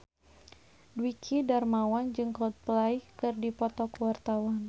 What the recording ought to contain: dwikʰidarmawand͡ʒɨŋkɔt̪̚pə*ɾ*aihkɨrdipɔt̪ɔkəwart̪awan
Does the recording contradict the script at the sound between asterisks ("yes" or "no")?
yes